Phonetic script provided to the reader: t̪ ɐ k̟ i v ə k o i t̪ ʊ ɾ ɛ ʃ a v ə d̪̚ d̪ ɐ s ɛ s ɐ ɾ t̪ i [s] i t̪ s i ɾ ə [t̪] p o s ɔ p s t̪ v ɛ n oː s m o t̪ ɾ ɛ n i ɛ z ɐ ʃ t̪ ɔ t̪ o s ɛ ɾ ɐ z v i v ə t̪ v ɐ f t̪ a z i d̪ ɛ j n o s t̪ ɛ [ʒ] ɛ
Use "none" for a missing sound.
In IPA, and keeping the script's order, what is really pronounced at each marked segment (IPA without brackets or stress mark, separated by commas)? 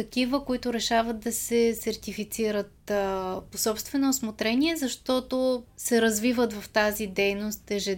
f, t̪, ʒ